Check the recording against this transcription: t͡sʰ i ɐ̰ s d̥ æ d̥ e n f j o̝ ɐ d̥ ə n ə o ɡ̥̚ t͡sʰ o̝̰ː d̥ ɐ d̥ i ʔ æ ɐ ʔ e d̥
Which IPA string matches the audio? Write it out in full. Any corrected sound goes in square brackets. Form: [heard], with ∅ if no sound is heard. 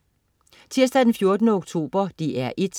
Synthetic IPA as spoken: t͡sʰ i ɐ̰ s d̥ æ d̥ e n f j o̝ ɐ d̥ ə n ə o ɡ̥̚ t͡sʰ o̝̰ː [b̥] ɐ d̥ i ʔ æ ɐ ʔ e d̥